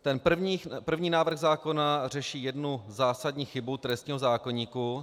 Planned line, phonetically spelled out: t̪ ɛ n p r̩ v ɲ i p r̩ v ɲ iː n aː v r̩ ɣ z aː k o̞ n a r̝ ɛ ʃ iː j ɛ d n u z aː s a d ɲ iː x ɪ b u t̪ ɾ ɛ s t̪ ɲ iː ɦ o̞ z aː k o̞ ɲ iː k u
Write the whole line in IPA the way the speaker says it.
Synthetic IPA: t̪ ɛ n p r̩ v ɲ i p r̩ v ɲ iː n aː v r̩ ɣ z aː k o̞ n a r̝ ɛ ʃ iː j ɛ d n u z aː s a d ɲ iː x ɪ b u t̪ ɾ ɛ s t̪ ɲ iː ɦ o̞ z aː k o̞ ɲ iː k u